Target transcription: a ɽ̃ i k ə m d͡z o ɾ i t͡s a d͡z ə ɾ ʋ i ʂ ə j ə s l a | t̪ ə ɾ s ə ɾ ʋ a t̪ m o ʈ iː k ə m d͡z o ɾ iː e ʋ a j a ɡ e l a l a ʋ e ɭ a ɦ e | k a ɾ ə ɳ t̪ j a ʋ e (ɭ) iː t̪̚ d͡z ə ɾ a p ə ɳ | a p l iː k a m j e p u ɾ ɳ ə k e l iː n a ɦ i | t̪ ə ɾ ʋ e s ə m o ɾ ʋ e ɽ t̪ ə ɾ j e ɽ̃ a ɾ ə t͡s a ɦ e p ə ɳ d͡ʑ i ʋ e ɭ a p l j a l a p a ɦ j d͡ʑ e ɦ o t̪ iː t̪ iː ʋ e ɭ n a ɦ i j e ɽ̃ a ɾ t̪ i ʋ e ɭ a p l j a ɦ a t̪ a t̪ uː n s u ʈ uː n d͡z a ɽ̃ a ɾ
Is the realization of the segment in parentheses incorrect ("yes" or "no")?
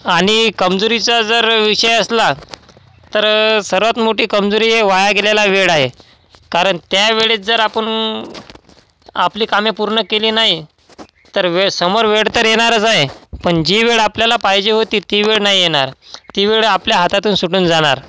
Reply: no